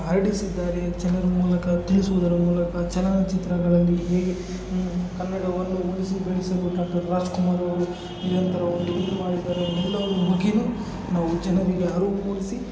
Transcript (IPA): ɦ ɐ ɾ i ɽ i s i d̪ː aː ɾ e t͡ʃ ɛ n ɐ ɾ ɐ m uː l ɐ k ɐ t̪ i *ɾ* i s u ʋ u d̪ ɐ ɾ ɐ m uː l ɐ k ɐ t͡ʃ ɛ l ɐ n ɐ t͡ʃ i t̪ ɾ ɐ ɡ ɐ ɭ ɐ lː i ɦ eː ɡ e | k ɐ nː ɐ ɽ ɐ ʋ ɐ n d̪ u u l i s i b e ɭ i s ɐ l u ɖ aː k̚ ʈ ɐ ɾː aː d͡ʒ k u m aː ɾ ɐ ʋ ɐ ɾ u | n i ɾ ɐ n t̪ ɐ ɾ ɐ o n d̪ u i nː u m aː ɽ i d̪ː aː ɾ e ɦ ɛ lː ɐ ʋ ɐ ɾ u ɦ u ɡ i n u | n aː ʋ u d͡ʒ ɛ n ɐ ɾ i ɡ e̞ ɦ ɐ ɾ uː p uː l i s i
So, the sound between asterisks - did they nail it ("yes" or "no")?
no